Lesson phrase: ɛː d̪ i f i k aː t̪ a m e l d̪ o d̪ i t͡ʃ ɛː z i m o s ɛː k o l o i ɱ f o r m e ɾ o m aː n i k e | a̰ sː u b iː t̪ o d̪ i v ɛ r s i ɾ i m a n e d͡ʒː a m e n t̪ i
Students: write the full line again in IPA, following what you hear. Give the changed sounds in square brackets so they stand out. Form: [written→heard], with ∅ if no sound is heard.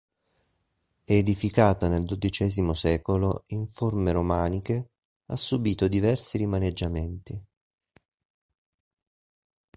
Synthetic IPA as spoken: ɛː d̪ i f i k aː t̪ a [m→n] e l d̪ o d̪ i t͡ʃ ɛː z i m o s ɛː k o l o i ɱ f o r m e ɾ o m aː n i k e | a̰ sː u b iː t̪ o d̪ i v ɛ r s i ɾ i m a n e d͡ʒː a m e n t̪ i